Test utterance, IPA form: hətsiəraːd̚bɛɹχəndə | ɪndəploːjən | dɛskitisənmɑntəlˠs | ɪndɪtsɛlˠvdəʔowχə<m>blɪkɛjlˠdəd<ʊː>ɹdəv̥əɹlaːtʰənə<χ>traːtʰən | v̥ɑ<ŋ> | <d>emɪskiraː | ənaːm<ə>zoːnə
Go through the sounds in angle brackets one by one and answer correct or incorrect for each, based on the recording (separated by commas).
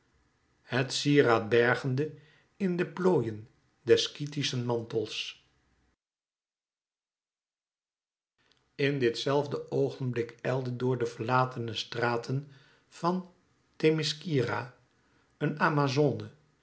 incorrect, correct, incorrect, incorrect, incorrect, incorrect